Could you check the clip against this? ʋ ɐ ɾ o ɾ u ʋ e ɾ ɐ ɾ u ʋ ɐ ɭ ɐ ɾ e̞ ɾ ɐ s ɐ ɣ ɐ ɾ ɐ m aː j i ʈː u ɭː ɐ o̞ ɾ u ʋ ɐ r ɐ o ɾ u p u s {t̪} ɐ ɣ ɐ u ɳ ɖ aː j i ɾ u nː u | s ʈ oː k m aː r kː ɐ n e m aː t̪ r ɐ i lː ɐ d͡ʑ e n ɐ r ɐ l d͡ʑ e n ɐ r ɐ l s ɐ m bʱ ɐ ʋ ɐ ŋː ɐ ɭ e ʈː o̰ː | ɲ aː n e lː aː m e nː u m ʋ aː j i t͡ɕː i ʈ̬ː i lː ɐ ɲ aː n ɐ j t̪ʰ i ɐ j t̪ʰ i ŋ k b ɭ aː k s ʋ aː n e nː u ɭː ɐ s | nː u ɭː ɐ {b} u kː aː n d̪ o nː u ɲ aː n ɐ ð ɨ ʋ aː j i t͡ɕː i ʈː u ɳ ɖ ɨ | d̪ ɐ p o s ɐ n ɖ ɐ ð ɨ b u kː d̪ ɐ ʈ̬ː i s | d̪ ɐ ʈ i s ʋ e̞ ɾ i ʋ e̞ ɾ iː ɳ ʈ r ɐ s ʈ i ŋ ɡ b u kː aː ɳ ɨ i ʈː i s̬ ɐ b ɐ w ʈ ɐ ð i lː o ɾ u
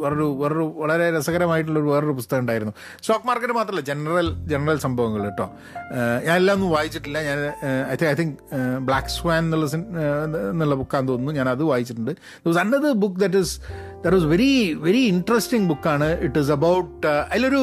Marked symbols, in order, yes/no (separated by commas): yes, yes